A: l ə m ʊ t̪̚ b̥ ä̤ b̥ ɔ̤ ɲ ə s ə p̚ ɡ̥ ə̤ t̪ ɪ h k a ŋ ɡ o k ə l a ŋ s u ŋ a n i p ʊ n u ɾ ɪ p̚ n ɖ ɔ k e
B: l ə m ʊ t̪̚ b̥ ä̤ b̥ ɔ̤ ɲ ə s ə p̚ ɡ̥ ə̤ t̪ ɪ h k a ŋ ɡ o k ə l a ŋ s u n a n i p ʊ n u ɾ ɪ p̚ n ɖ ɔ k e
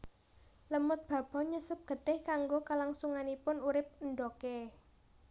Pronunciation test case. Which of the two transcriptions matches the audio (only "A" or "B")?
A